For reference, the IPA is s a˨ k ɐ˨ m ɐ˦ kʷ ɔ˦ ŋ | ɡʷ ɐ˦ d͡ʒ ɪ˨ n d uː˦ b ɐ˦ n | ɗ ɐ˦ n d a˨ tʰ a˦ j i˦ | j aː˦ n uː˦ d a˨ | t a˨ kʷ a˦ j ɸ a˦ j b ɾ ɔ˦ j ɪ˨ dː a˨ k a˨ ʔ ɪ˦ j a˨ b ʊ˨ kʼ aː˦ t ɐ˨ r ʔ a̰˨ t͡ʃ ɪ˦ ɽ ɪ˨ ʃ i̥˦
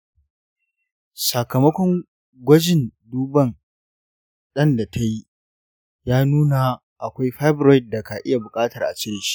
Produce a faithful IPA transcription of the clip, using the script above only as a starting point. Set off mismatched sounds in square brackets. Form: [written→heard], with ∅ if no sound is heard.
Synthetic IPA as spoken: s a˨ k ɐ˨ m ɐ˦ kʷ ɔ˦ ŋ | ɡʷ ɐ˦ d͡ʒ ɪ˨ n d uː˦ b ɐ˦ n | ɗ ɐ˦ n d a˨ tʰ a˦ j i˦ | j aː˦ n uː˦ [d→n] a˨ | [t→ʔ] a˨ kʷ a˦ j ɸ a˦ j b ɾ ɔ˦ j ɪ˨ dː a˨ k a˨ ʔ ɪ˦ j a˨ b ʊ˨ kʼ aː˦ t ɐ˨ r ʔ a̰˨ t͡ʃ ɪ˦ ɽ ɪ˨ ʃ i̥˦